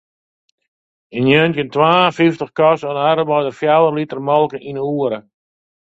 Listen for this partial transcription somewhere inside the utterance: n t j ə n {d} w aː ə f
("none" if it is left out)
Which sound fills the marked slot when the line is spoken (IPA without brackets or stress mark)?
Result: t